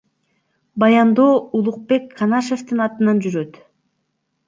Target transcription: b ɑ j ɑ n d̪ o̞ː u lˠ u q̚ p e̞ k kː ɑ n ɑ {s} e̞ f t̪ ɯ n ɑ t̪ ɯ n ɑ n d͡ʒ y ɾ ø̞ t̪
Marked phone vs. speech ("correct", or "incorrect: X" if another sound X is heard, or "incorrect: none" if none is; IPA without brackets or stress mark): incorrect: ʃ